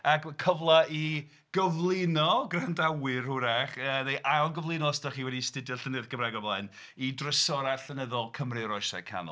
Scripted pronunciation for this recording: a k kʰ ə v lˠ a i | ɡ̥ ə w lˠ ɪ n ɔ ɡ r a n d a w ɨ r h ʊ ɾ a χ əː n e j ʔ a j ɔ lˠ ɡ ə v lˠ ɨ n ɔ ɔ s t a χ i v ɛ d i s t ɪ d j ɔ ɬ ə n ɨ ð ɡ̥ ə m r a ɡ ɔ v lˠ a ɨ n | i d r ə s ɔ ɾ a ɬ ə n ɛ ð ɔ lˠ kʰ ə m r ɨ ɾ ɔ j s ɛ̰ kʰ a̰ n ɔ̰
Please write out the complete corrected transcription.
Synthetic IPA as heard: a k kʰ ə v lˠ a i | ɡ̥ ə v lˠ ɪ n ɔ ɡ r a n d a w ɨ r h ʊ ɾ a χ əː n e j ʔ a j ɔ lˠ ɡ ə v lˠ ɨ n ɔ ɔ s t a χ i w ɛ d i s t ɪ d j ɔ ɬ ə n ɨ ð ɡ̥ ə m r a ɡ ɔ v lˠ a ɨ n | i d r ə s ɔ ɾ a ɬ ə n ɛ ð ɔ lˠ kʰ ə m r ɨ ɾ ɔ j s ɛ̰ kʰ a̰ n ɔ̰

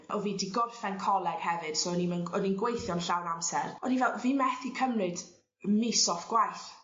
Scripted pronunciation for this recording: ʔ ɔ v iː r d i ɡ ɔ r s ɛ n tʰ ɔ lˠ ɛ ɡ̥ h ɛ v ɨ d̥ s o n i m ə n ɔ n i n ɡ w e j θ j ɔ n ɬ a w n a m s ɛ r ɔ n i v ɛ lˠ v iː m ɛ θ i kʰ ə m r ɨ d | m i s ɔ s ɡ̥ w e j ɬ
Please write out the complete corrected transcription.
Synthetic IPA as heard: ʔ ɔ v iː d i ɡ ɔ r f ɛ n kʰ ɔ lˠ ɛ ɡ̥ h ɛ v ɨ d̥ s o n i m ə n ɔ n i n ɡ w e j θ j ɔ n ɬ a w n a m s ɛ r ɔ n i v ɛ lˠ v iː m ɛ θ i kʰ ə m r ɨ d | m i s ɔ f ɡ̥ w a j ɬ

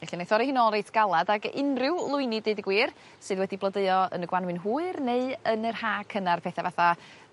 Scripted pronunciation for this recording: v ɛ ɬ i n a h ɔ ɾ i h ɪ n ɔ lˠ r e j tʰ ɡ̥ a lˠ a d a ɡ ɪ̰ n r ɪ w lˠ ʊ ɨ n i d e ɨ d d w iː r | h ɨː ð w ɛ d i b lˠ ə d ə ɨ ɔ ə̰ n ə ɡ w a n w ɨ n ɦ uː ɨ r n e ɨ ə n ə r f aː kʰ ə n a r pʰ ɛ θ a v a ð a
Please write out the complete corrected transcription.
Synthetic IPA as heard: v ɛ ɬ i n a θ ɔ ɾ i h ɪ n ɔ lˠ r e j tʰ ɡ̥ a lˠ a d a ɡ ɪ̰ n r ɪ w lˠ ʊ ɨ n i d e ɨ d ɡ w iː r | s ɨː ð w ɛ d i b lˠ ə d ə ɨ ɔ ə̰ n ə ɡ w a n w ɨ n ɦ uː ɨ r n e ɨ ə n ə r h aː kʰ ə n a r pʰ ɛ θ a v a θ a

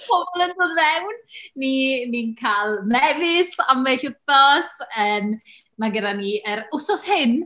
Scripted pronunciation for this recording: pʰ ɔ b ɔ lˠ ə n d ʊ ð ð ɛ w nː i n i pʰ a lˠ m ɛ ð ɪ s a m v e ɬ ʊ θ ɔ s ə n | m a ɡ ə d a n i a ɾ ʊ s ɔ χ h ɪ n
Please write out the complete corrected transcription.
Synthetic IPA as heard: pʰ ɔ b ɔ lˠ ə n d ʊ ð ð ɛ w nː i n i kʰ a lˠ m ɛ v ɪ s a m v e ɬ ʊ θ ɔ s ə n | m a ɡ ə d a n i ə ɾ ʊ s ɔ s h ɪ n

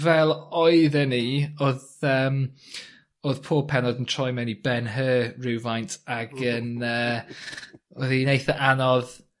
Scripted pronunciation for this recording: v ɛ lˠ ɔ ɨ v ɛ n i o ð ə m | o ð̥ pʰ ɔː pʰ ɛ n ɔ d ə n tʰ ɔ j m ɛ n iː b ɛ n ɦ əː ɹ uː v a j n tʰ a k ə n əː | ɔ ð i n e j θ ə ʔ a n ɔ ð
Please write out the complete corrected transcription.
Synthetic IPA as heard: v ɛ lˠ ɔ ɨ ð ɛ n i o ð ə m | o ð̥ pʰ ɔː pʰ ɛ n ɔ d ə n tʰ ɔ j m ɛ n i b ɛ n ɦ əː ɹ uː v a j n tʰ a ɡ ə n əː | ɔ ð i n e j θ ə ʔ a n ɔ ð

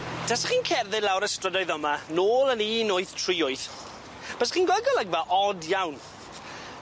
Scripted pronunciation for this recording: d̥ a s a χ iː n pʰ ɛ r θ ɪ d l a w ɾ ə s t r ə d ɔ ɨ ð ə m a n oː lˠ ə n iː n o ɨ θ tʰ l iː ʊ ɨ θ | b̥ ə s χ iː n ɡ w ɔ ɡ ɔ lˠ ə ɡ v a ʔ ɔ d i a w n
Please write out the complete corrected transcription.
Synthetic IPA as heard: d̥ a s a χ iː n kʰ ɛ r ð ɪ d l a w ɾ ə s t r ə d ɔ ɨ ð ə m a n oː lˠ ə n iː n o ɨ θ tʰ r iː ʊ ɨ θ | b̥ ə s χ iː n ɡ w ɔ ɡ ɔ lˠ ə ɡ v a ʔ ɔ d j a w n

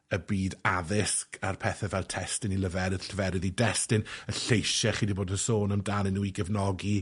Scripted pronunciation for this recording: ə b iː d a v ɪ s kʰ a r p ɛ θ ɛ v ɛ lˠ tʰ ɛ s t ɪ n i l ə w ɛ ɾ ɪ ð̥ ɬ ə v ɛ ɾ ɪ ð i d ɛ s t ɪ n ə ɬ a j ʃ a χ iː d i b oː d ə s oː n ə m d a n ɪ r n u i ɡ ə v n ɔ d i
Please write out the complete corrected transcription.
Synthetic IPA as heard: ə b iː d a ð ɪ s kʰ a r pʰ ɛ θ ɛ v ɛ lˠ tʰ ɛ s t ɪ n i l ə v ɛ ɾ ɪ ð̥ ɬ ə v ɛ ɾ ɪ ð i d ɛ s t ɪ n ə ɬ e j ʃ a χ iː d i b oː d ə s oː n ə m d a n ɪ n u i ɡ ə v n ɔ ɡ i

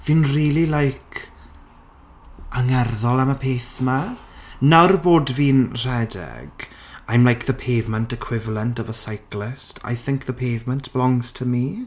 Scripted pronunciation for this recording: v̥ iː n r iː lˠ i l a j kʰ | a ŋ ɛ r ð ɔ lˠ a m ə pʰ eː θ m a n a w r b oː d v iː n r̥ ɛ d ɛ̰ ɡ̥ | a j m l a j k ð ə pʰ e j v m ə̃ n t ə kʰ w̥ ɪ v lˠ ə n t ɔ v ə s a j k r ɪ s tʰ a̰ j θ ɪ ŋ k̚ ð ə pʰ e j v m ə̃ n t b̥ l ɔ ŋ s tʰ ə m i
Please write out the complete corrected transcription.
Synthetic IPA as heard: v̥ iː n r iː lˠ i l a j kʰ | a ŋ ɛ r ð ɔ lˠ a m ə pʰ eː θ m a n a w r b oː d v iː n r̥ ɛ d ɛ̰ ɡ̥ | a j m l a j k ð ə pʰ e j v m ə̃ n t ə kʰ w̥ ɪ v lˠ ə n t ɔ v ə s a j k l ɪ s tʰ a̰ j θ ɪ ŋ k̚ ð ə pʰ e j v m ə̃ n t b̥ l ɔ ŋ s tʰ ə m i

